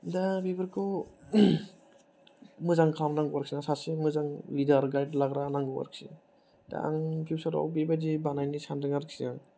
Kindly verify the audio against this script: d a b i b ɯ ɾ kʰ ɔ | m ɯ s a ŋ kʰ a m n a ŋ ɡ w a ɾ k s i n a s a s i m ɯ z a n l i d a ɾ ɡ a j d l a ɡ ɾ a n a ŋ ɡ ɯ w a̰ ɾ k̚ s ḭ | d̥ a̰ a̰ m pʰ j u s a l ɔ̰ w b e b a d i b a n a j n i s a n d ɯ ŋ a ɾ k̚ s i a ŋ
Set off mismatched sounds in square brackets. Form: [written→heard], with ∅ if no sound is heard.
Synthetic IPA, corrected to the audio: d a b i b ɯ ɾ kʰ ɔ | m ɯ [s→z] a ŋ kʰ a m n a ŋ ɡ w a ɾ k s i n a s a s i m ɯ z a [n→ŋ] l i d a ɾ ɡ a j d l a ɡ ɾ a n a ŋ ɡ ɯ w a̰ ɾ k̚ s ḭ | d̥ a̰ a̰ [m→ŋ] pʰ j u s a [l→ɾ] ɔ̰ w b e b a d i b a n a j n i s a n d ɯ ŋ a ɾ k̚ s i a ŋ